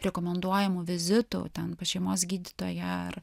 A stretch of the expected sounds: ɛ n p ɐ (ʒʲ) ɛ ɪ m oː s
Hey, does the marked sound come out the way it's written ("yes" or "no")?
no